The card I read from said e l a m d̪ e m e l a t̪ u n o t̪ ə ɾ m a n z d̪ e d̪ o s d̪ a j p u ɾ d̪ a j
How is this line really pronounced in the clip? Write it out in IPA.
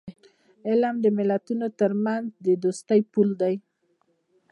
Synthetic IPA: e l a m d̪ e m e l a t̪ u n o t̪ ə ɾ m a n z d̪ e d̪ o s t̪ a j p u l d̪ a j